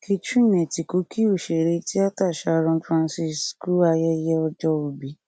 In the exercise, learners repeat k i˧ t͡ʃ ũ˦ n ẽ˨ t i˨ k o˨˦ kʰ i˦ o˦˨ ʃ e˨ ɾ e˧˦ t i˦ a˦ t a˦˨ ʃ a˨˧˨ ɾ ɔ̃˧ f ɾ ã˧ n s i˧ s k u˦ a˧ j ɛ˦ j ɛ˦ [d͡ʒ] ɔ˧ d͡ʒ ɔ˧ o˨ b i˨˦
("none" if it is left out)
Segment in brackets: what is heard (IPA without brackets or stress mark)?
none